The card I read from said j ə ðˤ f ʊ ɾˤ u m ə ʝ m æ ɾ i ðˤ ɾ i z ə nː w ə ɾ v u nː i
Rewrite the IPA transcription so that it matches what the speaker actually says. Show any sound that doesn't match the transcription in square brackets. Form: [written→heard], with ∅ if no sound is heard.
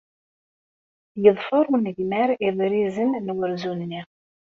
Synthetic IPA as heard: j ə ðˤ f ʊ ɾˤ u [m→n] ə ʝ m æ ɾ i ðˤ ɾ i z ə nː w ə ɾ [v→z] u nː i